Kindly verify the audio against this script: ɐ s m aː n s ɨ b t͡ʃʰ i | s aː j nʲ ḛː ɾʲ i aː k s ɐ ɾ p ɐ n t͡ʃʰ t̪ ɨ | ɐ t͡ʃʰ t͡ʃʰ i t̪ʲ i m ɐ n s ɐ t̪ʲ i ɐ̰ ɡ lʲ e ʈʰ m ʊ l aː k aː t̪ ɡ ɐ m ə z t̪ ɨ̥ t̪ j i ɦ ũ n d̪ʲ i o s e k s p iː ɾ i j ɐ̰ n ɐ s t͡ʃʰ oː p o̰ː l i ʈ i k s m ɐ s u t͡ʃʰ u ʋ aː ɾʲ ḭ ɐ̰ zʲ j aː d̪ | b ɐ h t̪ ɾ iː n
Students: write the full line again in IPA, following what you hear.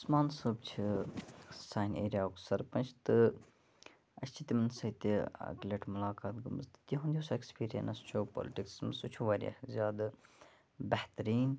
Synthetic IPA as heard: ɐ s m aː n s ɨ b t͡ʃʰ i | s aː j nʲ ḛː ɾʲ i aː k s ɐ ɾ p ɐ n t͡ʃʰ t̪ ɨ | ɐ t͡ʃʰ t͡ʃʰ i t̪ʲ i m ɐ n s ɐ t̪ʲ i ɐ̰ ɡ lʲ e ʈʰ m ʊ l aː k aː t̪ ɡ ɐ m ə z t̪ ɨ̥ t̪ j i ɦ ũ n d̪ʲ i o s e k s p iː ɾ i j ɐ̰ n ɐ s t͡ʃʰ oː p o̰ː l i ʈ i k s m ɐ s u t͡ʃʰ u ʋ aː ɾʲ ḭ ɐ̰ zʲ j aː d̪ | b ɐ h t̪ ɾ iː n